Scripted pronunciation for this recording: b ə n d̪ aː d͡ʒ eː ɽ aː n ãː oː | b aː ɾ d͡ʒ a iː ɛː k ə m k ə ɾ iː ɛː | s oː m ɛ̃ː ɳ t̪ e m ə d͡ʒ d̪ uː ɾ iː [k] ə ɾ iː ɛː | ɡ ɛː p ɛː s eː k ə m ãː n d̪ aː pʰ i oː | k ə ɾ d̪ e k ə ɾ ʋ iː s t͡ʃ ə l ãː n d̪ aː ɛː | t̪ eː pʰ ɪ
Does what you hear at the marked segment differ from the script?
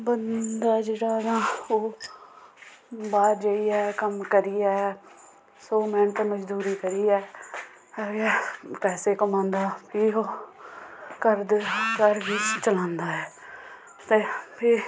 no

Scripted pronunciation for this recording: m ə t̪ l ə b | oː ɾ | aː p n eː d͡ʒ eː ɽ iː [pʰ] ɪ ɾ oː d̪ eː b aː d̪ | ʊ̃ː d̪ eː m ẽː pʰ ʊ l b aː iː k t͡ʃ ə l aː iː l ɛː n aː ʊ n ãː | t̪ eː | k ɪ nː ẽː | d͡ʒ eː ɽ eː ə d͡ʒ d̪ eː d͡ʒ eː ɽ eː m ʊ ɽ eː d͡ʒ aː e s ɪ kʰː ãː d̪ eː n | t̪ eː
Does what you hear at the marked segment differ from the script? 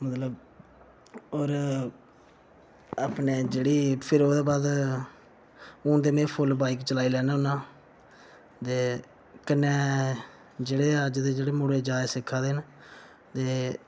no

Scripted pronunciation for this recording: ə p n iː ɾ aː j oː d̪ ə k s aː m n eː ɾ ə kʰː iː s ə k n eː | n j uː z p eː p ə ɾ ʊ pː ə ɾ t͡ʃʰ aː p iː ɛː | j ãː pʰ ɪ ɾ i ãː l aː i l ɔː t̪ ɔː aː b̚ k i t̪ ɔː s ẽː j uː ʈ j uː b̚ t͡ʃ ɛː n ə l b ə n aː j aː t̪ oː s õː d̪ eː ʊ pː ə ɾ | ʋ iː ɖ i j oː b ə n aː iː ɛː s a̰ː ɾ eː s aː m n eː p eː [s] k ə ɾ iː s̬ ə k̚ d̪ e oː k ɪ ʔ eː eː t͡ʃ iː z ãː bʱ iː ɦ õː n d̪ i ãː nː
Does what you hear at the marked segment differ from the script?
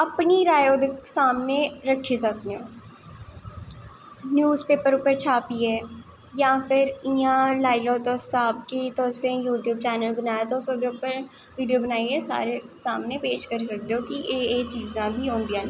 yes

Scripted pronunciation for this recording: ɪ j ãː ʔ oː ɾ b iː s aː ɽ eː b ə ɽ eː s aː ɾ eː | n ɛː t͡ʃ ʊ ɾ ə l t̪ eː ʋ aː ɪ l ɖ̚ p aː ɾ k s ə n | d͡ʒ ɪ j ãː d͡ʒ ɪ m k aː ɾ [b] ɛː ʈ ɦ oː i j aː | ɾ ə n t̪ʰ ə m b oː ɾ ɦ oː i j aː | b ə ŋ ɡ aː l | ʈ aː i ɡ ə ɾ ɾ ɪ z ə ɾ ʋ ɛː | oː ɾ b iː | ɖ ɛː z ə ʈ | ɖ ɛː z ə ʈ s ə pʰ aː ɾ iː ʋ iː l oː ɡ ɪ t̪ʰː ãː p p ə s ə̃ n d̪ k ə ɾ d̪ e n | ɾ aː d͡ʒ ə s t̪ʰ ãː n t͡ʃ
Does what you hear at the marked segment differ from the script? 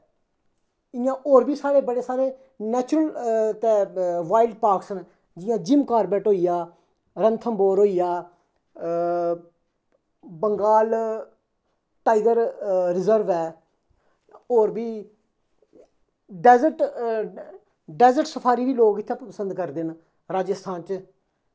no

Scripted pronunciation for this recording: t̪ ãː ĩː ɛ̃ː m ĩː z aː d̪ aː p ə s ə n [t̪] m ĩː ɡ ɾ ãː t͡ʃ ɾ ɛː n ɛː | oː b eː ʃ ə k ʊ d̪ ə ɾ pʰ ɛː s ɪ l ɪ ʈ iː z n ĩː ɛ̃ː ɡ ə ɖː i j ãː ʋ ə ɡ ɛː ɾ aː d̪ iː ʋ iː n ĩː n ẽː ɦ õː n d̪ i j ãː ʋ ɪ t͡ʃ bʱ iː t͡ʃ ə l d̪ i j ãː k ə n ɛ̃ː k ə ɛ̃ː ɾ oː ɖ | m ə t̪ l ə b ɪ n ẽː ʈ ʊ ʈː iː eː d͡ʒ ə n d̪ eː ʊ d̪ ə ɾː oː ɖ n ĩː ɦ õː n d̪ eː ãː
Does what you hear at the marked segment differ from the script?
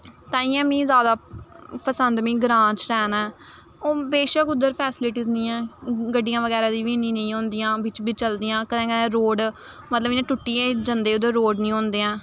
yes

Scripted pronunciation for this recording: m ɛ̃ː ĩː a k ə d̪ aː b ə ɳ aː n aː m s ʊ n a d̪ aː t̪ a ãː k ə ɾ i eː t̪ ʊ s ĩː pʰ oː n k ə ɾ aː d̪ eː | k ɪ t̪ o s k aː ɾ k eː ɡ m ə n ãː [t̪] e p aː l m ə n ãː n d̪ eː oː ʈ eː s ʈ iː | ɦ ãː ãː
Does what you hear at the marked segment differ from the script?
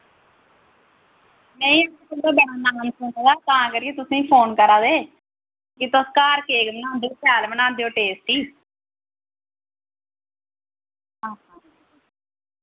yes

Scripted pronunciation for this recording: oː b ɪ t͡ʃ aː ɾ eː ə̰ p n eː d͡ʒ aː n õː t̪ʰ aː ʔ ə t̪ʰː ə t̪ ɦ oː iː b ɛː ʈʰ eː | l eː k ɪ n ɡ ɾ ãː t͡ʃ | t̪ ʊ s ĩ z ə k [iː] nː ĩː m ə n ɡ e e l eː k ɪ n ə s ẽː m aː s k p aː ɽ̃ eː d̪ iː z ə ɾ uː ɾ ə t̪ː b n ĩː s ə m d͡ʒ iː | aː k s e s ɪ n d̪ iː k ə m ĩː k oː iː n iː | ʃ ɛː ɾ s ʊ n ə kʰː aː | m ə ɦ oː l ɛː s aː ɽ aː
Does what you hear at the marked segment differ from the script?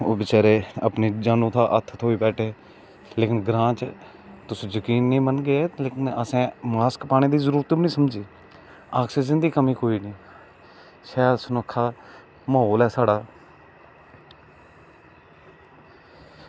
no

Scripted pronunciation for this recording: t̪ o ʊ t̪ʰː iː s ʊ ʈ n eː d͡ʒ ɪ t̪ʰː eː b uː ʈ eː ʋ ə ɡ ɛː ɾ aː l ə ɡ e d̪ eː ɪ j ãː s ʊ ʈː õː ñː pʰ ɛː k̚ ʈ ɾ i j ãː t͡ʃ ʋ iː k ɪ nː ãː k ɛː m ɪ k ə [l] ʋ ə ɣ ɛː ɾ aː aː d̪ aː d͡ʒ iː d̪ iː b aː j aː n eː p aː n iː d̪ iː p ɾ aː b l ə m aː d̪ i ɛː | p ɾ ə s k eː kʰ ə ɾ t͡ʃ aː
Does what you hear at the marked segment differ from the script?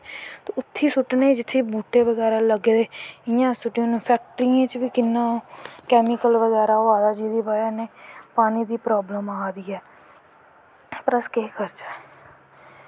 no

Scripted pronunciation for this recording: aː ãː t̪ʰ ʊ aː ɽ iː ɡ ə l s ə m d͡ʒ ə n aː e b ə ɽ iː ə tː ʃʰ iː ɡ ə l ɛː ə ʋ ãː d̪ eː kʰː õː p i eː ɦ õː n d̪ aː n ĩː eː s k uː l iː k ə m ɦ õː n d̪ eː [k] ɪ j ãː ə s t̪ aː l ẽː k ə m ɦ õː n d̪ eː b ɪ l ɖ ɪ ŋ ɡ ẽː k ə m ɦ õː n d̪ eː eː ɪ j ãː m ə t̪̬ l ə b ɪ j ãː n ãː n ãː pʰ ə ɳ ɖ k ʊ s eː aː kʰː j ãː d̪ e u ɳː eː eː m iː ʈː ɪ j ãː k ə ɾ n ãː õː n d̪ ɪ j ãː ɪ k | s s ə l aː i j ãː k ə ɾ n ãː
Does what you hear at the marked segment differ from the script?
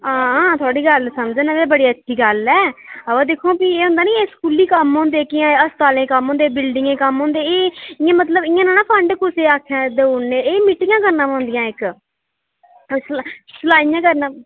no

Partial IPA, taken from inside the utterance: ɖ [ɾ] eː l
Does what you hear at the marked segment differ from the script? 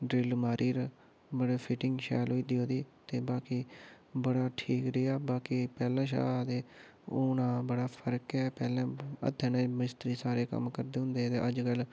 no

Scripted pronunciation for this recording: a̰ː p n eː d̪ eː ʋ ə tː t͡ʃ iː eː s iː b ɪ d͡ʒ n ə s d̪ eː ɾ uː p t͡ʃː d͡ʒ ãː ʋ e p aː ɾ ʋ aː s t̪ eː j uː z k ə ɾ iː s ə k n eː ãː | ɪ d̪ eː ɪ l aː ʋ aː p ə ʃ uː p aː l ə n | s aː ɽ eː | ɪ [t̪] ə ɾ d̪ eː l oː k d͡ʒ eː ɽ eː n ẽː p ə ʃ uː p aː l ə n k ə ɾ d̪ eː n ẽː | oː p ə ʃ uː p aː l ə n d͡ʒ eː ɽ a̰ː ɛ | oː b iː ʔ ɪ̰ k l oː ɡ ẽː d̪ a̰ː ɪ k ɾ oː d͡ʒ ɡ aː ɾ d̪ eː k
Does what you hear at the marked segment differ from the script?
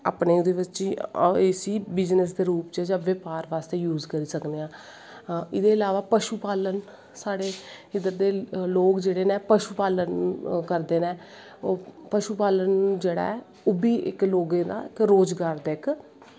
yes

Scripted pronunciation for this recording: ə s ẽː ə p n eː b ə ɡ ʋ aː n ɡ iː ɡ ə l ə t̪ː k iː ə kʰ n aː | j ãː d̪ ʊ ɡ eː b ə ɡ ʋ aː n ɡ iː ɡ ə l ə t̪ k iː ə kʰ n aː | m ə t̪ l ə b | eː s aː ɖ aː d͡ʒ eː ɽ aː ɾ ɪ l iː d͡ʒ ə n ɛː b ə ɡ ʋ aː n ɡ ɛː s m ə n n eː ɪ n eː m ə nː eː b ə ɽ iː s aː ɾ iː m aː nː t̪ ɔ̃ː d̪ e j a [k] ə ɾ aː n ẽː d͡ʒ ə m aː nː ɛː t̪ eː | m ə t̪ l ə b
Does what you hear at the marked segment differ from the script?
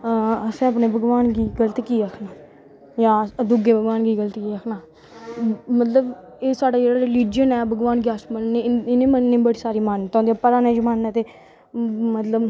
yes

